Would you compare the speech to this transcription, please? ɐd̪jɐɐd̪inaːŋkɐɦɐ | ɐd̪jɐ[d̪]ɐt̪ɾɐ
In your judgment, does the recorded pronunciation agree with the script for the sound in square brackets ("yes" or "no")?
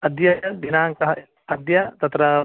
no